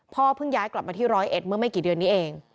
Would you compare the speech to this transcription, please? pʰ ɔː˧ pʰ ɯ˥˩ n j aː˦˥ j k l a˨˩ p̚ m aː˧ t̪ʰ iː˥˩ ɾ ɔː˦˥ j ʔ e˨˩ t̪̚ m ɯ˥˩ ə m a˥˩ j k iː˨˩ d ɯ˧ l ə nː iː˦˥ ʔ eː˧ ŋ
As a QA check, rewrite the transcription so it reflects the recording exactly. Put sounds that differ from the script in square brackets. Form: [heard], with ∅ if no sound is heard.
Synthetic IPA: pʰ [ɔː˥˩] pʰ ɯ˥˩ [ŋ] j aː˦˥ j k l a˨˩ p̚ m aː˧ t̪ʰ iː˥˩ ɾ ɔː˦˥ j ʔ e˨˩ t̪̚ m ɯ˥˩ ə m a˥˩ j k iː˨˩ d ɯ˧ [∅] ə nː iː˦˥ ʔ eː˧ ŋ